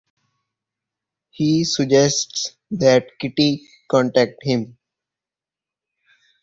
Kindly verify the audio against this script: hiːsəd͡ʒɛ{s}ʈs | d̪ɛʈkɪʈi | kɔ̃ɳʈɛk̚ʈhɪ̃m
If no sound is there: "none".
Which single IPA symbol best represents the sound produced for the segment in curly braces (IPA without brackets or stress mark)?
s